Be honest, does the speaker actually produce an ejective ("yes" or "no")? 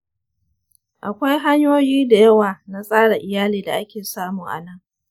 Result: yes